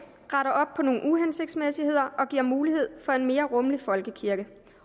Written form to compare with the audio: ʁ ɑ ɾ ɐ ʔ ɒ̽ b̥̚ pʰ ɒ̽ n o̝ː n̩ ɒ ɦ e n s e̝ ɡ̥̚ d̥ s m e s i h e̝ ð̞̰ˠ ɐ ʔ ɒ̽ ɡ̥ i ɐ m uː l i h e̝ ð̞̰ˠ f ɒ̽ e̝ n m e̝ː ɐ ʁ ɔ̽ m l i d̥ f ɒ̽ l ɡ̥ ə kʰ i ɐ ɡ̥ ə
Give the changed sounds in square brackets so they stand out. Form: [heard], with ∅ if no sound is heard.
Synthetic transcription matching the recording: ʁ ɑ ɾ ɐ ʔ ɒ̽ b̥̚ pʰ ɒ̽ n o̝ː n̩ [u] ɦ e n s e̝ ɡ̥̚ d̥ s m e s i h e̝ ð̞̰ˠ ɐ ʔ ɒ̽ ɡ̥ i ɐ m uː l i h e̝ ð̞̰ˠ f ɒ̽ e̝ n m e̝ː ɐ ʁ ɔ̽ m l i [∅] f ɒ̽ l ɡ̥ ə kʰ i ɐ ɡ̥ ə